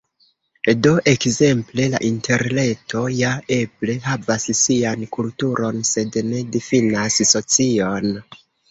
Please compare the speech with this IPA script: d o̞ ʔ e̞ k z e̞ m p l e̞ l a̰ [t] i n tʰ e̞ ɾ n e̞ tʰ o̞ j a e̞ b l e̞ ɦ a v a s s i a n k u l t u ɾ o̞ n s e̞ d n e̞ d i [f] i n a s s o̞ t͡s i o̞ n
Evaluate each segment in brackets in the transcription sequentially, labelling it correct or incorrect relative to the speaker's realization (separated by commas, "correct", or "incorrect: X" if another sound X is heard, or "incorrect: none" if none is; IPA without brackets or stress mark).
incorrect: ʔ, correct